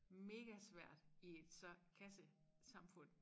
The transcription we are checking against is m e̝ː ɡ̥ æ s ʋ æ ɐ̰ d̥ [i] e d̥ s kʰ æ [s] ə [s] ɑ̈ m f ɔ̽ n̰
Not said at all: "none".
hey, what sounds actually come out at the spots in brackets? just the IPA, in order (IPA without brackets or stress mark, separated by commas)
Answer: i, s, s